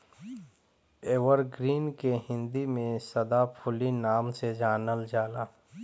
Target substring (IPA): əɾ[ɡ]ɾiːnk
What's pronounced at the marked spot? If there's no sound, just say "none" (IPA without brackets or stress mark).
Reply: ɡ